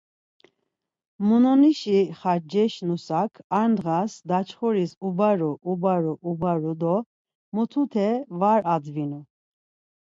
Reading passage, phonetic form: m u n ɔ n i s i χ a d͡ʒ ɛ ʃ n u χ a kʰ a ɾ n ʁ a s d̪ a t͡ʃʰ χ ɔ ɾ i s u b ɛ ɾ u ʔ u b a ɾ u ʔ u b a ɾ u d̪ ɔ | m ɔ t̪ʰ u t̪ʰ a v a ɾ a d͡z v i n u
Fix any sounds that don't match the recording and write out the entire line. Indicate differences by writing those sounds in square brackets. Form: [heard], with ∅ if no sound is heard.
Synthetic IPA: m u n ɔ n i [ʃ] i χ a d͡ʒ ɛ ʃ n u [s] a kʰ a ɾ n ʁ a s d̪ a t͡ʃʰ χ ɔ ɾ i s u b [a] ɾ u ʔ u b a ɾ u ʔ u b a ɾ u d̪ ɔ | m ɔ t̪ʰ u t̪ʰ [ɛ] v a ɾ a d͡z v i n u